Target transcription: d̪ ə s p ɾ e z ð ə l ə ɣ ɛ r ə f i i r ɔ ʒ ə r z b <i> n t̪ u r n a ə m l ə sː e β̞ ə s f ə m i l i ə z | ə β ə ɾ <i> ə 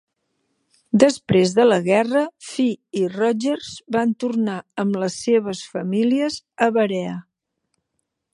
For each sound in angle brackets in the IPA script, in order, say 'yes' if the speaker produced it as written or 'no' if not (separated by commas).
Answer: no, no